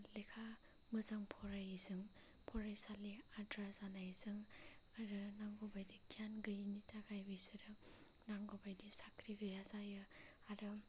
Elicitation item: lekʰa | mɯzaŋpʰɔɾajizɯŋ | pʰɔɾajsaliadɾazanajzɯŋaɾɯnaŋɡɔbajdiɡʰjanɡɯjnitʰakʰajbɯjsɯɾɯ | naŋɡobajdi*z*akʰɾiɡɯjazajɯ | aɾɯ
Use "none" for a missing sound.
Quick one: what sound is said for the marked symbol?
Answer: s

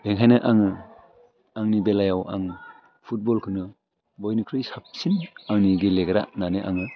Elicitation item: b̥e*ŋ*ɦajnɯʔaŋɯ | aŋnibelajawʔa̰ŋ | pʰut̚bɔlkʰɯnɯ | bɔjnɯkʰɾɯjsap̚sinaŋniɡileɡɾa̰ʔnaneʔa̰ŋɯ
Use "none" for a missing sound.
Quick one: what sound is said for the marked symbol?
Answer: ŋ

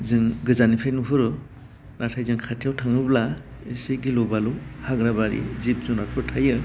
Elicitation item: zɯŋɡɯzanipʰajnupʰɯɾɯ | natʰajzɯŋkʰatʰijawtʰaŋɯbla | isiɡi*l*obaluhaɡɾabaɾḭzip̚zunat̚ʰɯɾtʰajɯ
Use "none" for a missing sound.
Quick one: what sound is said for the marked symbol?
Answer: l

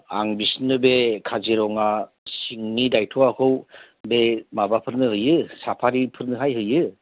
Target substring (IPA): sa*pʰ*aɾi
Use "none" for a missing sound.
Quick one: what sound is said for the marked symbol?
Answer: pʰ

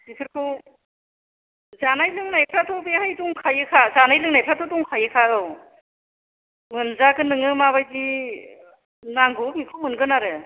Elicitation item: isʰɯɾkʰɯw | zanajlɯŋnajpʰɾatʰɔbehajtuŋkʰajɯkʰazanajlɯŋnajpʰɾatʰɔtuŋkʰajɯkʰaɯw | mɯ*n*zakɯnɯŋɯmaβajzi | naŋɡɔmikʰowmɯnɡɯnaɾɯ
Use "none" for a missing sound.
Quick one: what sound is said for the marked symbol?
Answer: n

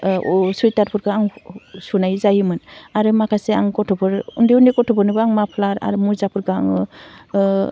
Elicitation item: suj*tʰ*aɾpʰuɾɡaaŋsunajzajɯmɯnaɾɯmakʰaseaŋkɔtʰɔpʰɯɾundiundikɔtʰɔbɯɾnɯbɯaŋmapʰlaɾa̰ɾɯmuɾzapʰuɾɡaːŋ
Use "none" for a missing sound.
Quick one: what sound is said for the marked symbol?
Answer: t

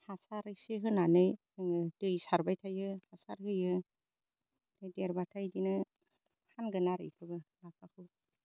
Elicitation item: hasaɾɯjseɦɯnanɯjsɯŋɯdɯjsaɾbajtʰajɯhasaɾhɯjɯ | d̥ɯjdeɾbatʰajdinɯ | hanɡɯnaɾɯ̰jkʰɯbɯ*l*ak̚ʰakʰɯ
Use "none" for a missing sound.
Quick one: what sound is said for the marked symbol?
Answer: l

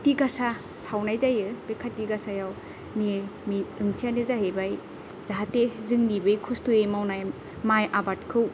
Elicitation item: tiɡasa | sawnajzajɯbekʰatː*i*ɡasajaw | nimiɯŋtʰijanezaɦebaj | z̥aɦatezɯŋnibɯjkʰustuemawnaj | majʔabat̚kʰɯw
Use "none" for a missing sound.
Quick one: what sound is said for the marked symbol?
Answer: i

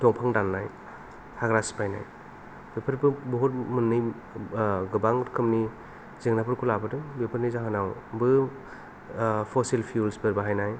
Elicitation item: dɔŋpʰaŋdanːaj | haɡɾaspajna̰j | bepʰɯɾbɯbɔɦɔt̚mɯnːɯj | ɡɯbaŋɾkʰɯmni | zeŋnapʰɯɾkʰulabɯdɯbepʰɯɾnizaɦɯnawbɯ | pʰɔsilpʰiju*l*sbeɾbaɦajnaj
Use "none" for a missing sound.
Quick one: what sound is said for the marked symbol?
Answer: l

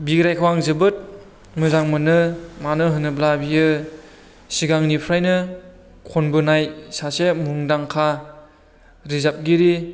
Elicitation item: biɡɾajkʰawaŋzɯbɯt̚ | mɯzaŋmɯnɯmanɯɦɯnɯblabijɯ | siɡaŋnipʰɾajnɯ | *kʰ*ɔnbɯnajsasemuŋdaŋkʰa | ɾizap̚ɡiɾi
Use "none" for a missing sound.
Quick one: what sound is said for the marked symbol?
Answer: kʰ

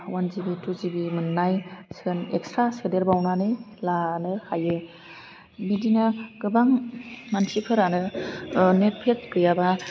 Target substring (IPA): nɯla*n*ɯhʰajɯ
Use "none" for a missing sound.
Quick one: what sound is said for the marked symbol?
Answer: n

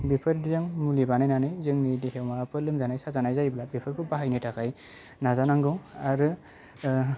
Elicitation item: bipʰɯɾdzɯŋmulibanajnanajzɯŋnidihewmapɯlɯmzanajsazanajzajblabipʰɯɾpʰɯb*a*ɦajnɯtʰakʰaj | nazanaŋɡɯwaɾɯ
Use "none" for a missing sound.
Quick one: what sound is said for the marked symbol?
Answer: a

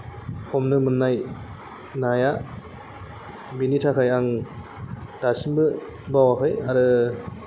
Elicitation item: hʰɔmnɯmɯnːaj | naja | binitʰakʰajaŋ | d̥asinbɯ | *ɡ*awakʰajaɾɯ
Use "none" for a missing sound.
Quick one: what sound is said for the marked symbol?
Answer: b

